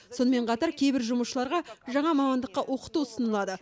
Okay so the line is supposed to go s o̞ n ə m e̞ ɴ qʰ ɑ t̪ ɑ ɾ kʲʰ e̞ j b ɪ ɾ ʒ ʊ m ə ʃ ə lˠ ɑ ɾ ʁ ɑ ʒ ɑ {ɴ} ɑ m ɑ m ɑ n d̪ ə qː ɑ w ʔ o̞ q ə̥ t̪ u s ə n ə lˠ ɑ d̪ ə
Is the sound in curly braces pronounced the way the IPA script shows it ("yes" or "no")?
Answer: yes